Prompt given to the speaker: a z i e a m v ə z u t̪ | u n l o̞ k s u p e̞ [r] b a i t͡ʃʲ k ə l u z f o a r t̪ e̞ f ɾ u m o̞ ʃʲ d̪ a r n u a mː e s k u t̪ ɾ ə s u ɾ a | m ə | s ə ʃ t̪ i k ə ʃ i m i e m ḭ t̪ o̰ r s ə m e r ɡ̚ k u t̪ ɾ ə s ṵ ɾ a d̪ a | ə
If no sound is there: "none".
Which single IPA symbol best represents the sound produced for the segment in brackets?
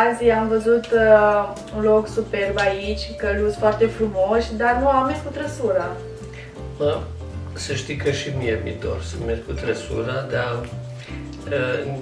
r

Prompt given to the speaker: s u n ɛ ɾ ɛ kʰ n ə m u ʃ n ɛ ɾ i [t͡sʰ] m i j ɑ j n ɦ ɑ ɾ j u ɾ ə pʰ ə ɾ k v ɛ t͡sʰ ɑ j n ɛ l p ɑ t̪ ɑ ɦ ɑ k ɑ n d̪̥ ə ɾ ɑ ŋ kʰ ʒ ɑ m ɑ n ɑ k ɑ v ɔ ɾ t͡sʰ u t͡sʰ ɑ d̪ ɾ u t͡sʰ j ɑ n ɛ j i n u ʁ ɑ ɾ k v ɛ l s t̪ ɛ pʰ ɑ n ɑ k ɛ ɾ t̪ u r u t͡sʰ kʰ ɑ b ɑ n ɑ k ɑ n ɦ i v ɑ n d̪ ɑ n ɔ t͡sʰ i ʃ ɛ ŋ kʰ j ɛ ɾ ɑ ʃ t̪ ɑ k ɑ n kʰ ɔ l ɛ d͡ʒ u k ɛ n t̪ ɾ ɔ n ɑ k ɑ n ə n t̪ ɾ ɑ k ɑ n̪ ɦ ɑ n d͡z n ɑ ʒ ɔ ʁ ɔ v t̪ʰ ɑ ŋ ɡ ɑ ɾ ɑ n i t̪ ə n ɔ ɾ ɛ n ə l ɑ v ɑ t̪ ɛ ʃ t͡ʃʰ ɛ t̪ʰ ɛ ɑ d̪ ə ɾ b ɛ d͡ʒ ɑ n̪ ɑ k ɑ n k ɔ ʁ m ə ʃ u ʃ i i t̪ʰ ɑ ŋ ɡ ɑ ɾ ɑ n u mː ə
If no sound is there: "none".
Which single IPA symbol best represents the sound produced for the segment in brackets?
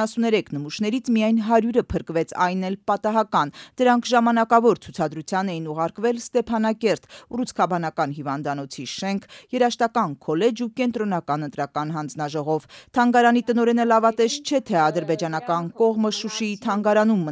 t͡sʰ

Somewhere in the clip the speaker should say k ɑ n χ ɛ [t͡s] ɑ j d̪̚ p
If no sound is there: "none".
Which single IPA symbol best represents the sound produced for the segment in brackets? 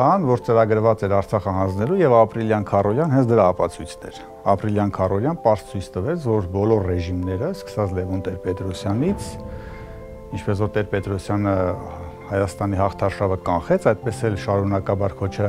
t͡sʰ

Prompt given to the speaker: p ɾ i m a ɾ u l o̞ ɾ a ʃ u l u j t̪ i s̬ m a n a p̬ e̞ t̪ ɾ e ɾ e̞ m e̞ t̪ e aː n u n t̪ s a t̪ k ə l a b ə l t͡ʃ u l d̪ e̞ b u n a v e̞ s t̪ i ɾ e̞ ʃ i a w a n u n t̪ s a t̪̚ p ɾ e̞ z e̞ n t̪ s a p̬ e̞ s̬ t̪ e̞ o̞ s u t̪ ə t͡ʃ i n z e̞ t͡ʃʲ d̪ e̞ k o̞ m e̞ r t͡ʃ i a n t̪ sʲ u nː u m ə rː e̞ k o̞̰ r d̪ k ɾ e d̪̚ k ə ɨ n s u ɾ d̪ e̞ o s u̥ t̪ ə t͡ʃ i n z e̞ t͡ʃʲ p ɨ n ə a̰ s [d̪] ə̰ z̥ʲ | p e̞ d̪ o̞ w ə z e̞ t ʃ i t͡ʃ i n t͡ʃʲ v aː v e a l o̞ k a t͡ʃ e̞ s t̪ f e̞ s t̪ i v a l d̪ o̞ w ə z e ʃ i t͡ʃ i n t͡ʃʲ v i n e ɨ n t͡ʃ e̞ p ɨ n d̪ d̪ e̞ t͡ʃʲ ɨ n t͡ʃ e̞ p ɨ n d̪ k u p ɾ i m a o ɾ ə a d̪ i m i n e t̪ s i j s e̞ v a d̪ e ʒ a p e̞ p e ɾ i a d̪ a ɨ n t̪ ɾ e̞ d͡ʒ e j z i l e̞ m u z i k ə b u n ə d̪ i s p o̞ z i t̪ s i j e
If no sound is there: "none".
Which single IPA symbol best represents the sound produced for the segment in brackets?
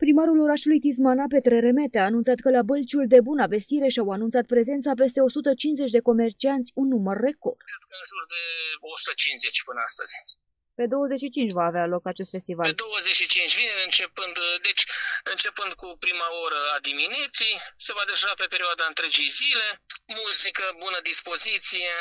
t̪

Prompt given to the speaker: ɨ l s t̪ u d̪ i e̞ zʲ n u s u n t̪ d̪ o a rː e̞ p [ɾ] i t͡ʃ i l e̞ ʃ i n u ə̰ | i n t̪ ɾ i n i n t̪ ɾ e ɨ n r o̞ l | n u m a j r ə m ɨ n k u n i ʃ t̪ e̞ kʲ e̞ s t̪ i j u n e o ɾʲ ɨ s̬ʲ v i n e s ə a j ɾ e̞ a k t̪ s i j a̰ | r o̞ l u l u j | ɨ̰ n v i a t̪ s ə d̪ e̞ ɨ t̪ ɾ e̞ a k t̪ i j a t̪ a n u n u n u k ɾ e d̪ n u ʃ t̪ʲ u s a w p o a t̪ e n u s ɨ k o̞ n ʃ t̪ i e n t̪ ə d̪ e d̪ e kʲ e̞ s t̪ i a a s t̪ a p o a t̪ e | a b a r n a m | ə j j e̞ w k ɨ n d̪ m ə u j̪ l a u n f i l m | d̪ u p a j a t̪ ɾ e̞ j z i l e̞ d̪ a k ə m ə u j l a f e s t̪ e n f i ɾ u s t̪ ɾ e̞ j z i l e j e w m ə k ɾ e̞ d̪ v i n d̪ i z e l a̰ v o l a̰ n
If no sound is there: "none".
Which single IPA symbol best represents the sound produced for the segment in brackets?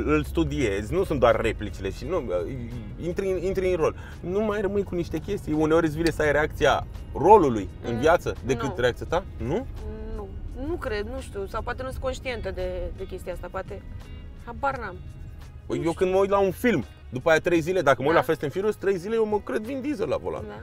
l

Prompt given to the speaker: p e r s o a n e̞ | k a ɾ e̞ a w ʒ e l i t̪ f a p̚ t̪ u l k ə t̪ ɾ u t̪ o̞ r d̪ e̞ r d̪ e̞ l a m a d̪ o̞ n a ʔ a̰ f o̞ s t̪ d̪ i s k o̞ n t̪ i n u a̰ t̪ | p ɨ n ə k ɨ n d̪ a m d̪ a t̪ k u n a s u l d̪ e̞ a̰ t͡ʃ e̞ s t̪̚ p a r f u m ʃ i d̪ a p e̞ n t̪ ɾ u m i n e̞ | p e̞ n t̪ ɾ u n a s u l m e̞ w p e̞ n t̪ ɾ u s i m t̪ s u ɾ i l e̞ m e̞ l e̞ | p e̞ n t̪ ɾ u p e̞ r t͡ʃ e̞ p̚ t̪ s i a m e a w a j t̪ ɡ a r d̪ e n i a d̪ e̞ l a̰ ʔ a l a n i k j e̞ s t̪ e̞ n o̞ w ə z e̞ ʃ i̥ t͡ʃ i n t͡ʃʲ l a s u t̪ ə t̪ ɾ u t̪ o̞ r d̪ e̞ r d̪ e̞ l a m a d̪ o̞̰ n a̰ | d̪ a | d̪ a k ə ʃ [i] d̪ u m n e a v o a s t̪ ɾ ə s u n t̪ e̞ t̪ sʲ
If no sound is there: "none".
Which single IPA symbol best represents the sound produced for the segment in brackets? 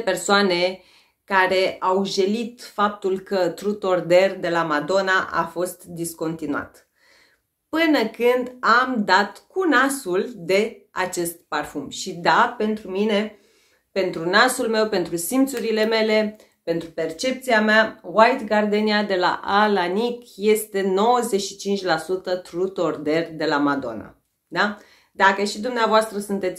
i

